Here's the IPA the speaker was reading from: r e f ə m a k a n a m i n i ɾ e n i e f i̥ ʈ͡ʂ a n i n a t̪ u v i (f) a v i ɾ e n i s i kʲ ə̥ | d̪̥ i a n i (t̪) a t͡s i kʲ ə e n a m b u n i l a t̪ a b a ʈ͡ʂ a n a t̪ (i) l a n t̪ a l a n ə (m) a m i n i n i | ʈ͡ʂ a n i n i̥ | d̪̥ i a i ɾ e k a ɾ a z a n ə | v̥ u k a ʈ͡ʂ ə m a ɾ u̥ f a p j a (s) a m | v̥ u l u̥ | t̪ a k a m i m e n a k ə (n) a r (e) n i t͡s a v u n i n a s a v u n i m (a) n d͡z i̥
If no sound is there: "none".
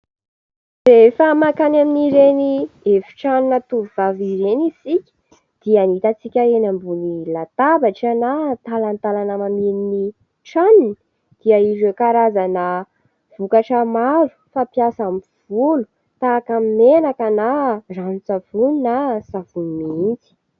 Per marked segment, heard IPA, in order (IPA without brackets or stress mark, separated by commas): v, t̪, a, m, s, n, a, i